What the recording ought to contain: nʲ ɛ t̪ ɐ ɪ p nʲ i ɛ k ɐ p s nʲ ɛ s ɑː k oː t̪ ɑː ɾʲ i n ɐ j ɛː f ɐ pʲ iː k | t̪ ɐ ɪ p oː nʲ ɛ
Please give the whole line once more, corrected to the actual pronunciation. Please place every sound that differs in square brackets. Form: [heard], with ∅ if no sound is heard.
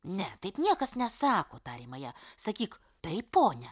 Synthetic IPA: nʲ ɛ t̪ ɐ ɪ p nʲ i ɛ k ɐ [∅] s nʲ ɛ s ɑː k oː t̪ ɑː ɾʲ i [m] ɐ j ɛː [s] ɐ [kʲ] iː k | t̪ ɐ ɪ p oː nʲ ɛ